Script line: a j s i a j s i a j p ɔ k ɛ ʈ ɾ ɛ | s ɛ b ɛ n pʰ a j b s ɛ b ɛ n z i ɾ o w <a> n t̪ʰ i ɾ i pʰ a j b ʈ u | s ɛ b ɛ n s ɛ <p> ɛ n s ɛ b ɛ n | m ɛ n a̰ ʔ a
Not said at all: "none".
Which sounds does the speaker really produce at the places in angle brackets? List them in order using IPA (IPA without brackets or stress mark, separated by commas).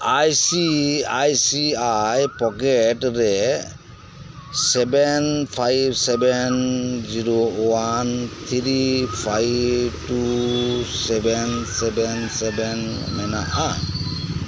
a, b